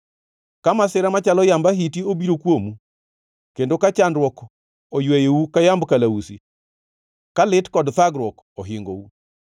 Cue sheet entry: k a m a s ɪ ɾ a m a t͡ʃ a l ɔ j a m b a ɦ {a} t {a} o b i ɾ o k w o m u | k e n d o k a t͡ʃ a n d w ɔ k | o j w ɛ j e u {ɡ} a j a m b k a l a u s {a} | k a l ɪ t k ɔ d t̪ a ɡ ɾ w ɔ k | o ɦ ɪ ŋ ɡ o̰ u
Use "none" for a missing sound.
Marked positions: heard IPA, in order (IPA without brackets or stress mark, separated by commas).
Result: i, i, k, i